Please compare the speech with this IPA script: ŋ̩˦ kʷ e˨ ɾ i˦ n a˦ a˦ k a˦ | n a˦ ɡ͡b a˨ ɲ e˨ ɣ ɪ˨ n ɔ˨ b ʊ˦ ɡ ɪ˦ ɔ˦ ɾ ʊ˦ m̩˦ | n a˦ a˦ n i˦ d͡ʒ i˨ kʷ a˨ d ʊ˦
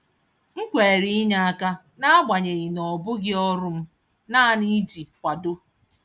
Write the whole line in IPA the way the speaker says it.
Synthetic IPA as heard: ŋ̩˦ kʷ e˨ ɾ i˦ ɲ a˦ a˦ k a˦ | n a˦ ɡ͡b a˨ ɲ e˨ ɣ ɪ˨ n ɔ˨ b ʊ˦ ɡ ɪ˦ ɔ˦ ɾ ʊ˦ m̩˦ | n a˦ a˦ n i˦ d͡ʒ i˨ kʷ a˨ d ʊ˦